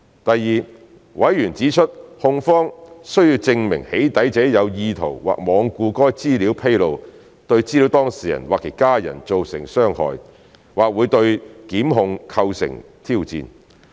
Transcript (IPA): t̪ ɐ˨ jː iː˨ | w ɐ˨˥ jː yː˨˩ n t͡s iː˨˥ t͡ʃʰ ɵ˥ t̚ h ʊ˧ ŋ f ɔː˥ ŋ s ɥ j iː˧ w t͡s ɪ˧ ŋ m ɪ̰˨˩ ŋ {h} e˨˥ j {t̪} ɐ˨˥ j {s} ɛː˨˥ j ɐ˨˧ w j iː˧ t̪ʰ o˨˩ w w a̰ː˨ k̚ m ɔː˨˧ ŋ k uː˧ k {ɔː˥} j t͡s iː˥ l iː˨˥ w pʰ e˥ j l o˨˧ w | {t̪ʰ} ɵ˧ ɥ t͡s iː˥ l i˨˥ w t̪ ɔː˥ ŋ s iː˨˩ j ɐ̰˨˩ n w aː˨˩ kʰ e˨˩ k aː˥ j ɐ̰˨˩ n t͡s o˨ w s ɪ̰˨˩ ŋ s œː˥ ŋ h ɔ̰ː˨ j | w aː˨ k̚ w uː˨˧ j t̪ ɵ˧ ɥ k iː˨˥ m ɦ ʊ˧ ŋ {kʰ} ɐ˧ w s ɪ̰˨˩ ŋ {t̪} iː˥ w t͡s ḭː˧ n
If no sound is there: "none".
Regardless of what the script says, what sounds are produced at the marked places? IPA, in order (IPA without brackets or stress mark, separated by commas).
h, t̪, t͡s, ɔː˥, t̪, kʰ, t̪ʰ